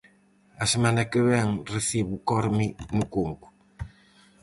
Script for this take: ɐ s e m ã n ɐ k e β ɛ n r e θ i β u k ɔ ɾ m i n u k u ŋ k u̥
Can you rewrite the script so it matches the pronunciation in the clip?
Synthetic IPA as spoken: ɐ s e m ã n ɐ k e β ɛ ŋ r e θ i β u k ɔ ɾ m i n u k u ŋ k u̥